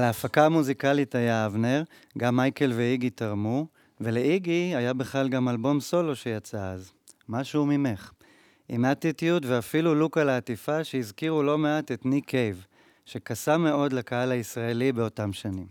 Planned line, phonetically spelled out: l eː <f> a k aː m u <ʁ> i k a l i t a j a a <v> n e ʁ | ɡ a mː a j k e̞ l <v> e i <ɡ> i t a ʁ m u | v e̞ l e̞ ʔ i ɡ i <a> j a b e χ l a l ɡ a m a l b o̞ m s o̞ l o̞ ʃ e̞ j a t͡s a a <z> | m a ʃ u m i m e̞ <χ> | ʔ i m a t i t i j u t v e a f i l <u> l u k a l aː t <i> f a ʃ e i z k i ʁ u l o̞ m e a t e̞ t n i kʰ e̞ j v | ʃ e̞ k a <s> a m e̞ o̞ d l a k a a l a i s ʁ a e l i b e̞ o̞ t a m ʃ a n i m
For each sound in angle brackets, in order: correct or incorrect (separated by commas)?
correct, incorrect, correct, correct, correct, correct, correct, correct, correct, correct, correct